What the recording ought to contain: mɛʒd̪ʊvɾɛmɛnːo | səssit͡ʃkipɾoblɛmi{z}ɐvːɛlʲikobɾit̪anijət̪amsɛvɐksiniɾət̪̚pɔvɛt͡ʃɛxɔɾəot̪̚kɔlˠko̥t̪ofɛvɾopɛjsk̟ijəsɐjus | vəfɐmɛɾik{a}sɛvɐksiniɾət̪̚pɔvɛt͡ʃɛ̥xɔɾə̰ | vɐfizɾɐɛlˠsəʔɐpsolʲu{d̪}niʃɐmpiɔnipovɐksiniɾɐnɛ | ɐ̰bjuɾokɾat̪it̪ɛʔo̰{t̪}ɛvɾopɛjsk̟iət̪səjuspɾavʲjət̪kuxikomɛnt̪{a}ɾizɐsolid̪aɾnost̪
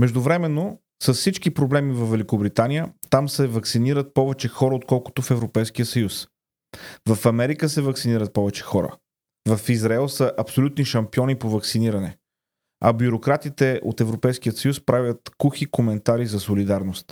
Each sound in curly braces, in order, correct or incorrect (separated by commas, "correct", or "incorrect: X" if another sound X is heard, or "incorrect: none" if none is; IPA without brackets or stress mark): incorrect: v, incorrect: ə, incorrect: t̪, correct, correct